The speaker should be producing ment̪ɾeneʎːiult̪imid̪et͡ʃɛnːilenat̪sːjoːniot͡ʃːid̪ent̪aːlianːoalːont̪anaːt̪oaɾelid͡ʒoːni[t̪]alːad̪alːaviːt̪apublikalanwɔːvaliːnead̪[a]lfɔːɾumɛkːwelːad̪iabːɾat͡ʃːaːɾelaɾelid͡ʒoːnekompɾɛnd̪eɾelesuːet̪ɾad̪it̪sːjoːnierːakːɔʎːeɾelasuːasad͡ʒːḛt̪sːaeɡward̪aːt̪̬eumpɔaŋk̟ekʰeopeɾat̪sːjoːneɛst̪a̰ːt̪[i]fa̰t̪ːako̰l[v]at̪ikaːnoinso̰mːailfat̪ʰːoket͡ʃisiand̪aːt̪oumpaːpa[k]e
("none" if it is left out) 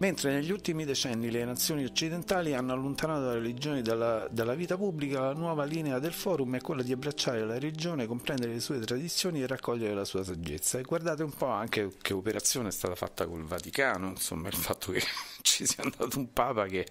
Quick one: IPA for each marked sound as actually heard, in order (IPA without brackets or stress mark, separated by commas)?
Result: d̪, e, a, v, k